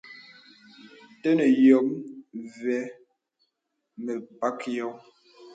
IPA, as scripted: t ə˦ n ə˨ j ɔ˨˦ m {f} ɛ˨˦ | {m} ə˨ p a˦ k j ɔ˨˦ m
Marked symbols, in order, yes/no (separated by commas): no, yes